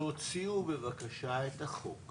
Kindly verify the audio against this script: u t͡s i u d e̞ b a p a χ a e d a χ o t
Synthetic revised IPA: o t͡s i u b e̞ v a k a ʃ a e t a χ o k